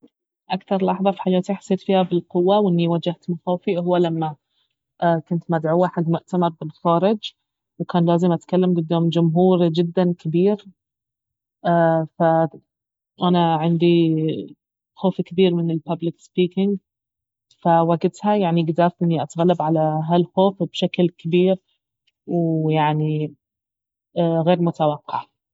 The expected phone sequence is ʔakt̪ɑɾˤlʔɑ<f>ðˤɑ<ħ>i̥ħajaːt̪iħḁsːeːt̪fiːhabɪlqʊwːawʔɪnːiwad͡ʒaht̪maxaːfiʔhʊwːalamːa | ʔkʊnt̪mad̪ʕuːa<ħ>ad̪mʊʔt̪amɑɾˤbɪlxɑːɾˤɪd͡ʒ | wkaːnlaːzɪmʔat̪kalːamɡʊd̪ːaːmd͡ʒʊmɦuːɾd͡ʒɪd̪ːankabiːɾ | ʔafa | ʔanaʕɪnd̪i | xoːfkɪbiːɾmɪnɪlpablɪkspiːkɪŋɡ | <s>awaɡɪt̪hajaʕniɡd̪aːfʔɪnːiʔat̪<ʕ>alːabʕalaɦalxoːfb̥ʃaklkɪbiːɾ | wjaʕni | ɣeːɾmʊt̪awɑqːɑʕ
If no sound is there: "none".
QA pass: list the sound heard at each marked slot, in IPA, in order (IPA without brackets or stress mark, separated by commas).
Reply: ħ, f, ħ, f, ɣ